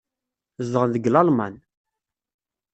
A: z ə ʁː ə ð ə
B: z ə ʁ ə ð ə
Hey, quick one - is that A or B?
B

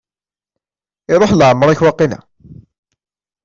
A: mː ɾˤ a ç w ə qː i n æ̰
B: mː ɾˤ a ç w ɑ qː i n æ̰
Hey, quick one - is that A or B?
B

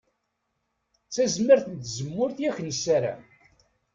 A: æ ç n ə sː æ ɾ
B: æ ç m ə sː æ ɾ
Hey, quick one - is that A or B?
A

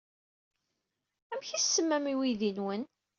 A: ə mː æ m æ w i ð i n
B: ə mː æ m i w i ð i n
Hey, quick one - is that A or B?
B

